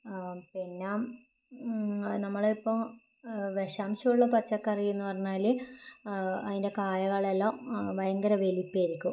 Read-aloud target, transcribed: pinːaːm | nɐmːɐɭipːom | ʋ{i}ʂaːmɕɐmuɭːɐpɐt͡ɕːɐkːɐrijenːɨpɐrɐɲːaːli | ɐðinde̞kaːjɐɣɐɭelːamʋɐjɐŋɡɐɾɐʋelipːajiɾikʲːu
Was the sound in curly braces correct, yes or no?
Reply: no